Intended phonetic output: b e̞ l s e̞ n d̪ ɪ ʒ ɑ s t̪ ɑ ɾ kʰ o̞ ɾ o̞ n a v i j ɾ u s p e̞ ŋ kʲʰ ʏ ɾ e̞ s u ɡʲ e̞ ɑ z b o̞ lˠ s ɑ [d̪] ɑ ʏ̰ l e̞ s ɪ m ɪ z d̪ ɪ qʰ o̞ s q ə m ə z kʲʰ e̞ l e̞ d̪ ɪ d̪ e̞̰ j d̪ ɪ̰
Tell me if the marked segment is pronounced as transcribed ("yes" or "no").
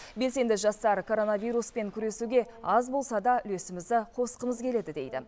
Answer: yes